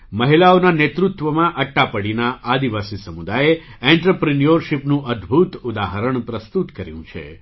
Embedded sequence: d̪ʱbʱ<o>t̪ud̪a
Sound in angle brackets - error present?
yes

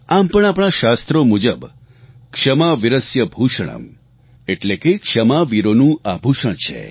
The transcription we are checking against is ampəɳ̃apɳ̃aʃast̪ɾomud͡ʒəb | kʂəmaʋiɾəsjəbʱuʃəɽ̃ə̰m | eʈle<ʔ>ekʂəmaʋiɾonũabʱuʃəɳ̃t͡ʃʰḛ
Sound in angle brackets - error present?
yes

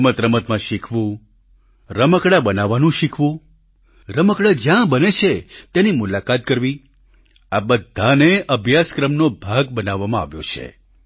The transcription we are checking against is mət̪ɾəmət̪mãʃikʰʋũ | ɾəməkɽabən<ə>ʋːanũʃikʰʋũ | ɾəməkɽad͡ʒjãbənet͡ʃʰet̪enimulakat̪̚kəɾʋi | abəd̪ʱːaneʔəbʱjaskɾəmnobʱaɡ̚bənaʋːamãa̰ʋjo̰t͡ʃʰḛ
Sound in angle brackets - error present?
yes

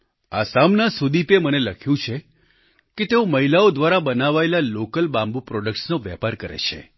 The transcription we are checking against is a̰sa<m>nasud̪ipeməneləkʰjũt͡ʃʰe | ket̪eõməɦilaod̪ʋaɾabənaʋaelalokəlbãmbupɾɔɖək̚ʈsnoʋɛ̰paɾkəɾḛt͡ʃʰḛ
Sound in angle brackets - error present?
no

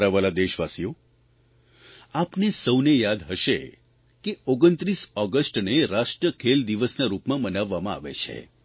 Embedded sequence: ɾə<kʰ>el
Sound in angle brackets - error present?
no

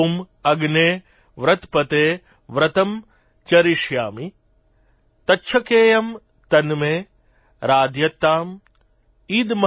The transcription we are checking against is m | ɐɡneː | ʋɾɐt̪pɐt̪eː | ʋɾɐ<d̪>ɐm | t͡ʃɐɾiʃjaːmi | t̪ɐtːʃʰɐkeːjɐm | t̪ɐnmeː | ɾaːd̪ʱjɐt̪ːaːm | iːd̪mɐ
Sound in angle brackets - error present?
yes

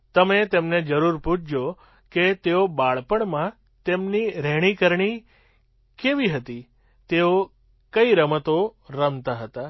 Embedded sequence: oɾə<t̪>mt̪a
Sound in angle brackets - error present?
yes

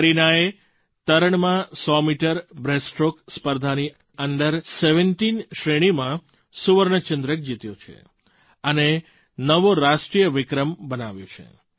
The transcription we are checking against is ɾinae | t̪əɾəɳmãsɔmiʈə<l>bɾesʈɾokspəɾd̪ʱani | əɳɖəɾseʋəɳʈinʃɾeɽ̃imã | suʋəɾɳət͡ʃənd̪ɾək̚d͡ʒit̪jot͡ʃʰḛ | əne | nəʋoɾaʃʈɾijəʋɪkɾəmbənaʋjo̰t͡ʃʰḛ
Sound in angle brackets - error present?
yes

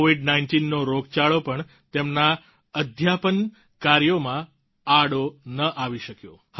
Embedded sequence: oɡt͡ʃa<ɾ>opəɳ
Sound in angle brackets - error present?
yes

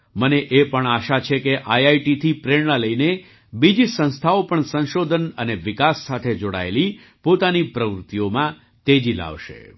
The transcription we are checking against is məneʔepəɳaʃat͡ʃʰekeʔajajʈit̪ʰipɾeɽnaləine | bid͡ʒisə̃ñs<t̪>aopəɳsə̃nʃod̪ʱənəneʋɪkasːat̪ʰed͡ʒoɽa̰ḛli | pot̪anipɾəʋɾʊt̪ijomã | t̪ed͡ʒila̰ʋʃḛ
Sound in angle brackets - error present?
yes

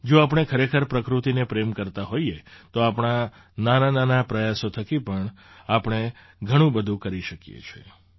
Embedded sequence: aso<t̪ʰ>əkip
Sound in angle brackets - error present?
no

